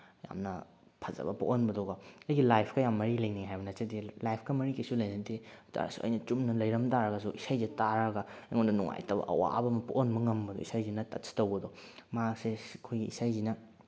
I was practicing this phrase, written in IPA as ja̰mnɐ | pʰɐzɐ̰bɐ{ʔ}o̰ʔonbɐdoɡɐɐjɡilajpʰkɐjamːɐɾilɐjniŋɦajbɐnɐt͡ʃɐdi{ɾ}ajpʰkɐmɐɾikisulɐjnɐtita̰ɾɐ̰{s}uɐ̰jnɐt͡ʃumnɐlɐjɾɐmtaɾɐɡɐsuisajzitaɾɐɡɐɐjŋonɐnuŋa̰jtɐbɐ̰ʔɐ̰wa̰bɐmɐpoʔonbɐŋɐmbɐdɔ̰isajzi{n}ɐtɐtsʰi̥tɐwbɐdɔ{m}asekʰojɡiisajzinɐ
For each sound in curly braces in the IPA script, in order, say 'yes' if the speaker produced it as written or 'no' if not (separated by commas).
no, no, yes, yes, yes